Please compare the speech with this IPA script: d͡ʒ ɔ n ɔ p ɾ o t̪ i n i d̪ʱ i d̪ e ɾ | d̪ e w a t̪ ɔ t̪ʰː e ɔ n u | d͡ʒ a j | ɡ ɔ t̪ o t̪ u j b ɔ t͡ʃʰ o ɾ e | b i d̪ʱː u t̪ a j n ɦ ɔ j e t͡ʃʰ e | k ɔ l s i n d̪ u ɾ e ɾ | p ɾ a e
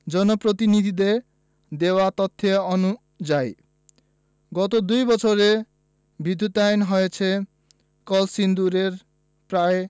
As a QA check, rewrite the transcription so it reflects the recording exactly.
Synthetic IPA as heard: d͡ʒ ɔ n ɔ p ɾ o t̪ i n i d̪ʱ i d̪ e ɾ | d̪ e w a t̪ ɔ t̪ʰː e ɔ n u | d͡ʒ a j | ɡ ɔ t̪ o d̪ u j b ɔ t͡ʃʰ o ɾ e | b i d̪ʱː u t̪ a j n ɦ ɔ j e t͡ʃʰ e | k ɔ l s i n d̪ u ɾ e ɾ | p ɾ a e